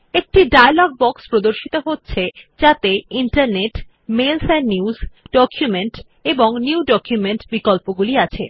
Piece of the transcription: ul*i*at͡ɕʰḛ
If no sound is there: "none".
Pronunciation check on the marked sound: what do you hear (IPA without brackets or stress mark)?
i